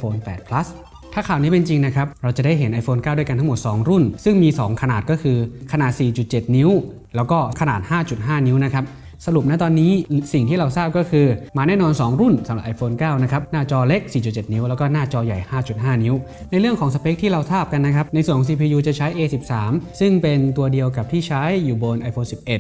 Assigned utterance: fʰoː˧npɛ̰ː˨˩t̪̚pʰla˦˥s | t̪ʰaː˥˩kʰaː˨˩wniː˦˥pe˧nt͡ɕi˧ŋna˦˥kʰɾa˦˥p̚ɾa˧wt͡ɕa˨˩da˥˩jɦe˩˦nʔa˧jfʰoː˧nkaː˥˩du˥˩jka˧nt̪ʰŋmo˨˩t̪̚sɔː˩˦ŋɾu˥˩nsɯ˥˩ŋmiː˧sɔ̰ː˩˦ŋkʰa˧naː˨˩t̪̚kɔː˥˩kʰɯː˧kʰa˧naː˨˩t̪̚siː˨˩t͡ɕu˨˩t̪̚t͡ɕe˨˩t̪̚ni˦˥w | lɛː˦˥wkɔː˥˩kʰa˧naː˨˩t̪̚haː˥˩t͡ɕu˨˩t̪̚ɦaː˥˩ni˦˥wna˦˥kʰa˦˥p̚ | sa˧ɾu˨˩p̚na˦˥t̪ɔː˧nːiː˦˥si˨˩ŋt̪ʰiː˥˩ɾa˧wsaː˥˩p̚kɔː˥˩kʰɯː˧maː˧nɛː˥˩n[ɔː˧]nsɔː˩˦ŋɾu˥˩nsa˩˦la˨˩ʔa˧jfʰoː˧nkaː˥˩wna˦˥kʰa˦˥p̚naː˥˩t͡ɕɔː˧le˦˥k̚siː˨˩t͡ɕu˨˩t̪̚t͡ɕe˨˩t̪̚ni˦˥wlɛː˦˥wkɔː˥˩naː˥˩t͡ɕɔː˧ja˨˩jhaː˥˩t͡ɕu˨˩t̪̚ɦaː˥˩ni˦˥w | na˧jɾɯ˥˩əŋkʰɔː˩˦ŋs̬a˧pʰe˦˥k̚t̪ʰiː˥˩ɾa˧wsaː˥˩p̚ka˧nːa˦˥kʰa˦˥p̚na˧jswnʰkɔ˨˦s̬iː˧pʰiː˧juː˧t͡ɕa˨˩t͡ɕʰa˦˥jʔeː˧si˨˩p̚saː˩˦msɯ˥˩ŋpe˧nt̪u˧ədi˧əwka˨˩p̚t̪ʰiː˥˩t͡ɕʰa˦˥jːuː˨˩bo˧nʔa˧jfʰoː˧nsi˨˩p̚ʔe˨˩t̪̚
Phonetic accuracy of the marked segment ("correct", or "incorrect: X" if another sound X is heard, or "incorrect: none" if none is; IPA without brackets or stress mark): correct